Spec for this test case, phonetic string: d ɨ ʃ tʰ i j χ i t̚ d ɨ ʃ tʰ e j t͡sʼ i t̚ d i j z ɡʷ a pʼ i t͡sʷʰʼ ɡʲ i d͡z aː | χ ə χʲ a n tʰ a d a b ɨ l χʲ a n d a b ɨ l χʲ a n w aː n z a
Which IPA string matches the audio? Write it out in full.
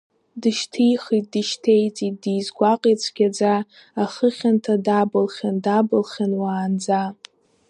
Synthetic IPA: d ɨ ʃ tʰ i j χ i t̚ d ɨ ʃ tʰ e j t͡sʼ i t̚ d i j z ɡʷ a qʼ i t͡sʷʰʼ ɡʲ a d͡z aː | χ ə χʲ a n tʰ a d a b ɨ l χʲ a n d a b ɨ l χʲ a n w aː n d͡z a